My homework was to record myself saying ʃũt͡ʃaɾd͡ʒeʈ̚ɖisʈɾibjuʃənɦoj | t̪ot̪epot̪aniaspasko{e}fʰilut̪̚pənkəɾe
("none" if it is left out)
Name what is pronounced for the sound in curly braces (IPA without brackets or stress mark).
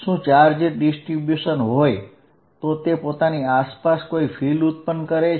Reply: i